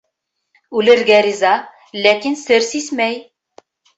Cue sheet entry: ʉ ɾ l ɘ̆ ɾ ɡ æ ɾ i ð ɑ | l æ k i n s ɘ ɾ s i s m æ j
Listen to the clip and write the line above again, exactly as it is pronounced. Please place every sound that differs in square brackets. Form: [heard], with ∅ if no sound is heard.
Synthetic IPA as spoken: ʉ [∅] l ɘ̆ ɾ ɡ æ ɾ i [z] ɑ | l æ k i n s ɘ ɾ s i s m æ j